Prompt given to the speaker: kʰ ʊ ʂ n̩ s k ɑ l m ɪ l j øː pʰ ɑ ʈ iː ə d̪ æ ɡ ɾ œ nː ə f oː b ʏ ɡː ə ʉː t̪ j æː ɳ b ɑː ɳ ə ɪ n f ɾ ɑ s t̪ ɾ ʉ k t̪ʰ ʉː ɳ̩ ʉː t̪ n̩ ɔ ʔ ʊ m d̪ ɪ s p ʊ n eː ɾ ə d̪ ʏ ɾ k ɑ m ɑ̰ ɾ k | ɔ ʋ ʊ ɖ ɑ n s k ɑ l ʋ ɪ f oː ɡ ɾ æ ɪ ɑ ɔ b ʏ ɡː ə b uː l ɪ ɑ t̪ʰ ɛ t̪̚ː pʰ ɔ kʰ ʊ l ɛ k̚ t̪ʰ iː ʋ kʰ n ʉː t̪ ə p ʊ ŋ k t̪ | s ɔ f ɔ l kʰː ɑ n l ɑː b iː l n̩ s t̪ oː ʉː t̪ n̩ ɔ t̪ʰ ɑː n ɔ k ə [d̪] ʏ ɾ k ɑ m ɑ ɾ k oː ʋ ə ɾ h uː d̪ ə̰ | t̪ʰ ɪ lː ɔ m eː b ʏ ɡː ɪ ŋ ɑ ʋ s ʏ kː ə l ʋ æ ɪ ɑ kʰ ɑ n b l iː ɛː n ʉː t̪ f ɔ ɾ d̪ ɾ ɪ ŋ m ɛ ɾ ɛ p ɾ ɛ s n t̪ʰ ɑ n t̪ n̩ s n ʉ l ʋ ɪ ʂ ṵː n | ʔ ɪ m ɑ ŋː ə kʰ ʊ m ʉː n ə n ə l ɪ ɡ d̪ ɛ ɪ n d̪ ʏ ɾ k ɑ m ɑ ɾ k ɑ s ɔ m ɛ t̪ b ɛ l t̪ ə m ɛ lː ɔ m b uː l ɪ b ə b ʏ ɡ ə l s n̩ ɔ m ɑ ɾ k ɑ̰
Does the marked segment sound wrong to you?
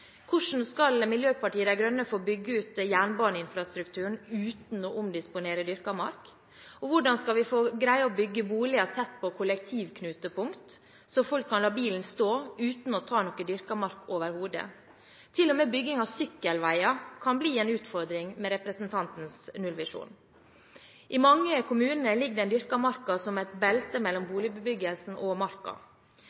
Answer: no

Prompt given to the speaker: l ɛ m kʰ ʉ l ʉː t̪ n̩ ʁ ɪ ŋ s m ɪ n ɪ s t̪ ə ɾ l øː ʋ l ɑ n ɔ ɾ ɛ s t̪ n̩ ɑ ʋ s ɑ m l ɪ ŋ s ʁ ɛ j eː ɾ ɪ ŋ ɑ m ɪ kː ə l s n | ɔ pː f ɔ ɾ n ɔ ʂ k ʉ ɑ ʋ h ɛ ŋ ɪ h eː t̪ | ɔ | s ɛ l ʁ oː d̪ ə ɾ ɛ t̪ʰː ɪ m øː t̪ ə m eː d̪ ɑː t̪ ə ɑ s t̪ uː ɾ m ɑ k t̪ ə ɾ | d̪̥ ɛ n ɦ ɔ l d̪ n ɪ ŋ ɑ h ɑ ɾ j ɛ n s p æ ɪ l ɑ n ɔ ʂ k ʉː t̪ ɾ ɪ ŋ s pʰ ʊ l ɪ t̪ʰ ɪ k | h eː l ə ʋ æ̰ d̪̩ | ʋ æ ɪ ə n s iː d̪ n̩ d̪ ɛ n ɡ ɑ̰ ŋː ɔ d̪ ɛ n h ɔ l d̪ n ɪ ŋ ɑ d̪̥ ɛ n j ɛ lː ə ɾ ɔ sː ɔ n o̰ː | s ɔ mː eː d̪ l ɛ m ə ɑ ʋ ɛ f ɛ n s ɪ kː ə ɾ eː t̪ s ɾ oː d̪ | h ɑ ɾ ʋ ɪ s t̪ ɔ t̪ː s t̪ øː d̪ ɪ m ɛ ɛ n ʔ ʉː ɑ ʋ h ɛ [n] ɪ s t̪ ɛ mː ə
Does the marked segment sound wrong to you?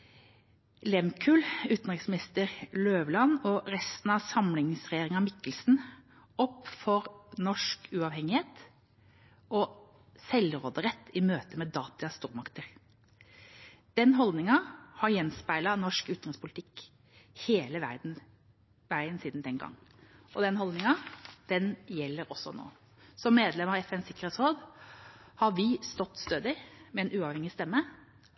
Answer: yes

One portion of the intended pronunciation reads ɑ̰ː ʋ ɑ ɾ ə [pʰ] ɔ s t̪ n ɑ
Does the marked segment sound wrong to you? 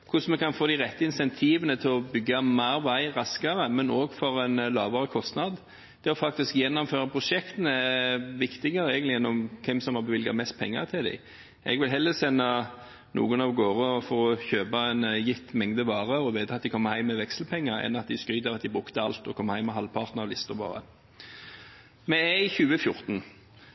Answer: yes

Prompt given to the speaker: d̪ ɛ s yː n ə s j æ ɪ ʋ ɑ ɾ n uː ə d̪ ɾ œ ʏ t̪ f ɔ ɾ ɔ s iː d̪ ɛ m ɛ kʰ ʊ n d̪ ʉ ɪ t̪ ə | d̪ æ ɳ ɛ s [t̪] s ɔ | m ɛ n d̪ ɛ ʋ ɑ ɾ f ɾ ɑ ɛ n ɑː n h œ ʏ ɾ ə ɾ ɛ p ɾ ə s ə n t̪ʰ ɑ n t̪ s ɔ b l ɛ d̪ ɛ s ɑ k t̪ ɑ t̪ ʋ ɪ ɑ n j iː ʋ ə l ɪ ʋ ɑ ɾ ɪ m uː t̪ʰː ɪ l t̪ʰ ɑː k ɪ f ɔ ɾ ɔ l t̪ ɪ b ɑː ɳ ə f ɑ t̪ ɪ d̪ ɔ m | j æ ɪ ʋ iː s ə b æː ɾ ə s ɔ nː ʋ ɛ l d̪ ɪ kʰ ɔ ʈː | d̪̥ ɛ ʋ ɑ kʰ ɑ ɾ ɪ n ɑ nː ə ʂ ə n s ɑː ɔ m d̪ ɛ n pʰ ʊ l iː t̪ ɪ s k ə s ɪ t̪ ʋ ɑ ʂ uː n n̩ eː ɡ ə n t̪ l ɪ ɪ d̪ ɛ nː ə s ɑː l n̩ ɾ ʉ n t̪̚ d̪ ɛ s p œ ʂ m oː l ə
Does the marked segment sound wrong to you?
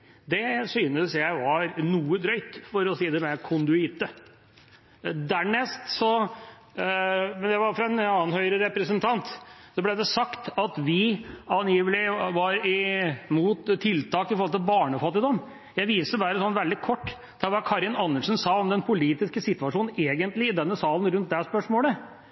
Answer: no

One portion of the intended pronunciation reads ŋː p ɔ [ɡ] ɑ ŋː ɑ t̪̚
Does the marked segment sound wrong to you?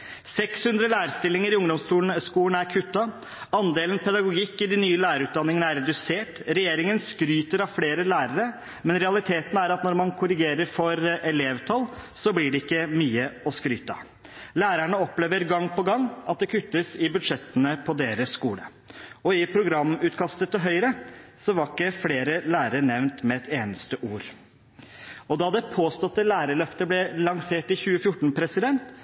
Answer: no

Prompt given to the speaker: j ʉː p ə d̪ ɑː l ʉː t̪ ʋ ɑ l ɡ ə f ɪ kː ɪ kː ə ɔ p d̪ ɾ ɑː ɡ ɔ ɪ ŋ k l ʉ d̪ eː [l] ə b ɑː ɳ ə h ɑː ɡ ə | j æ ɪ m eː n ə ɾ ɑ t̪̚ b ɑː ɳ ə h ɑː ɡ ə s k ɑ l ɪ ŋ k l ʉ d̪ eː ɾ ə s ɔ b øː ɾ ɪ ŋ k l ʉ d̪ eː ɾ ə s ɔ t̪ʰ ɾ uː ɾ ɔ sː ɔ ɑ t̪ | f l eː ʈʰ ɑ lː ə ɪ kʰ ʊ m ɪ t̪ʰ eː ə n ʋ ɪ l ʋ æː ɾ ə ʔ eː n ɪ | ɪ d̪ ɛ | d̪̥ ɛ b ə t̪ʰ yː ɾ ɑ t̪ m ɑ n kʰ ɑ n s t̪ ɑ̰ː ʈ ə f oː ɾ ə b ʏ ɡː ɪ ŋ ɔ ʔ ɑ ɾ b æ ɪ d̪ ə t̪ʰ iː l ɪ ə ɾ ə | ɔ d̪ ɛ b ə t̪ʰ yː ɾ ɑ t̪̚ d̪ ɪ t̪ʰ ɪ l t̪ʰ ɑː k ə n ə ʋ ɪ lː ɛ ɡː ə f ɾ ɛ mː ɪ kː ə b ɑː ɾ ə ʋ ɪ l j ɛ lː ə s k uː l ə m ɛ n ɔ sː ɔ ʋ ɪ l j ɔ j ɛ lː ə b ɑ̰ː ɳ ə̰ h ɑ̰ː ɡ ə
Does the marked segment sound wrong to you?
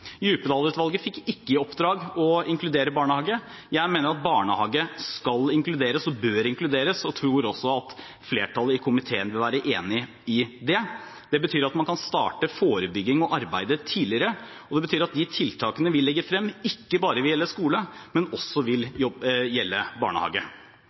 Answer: yes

